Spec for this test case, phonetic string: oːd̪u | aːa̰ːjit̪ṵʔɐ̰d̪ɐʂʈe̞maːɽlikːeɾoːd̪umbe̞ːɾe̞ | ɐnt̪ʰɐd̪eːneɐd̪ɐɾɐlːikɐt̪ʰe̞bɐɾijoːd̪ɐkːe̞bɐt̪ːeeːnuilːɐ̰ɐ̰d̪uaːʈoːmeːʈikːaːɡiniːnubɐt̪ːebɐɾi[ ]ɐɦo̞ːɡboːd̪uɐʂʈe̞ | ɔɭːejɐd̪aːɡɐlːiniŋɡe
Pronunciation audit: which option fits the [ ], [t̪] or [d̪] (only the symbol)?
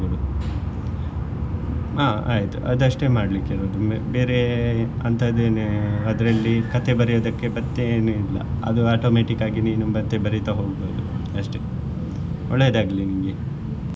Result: t̪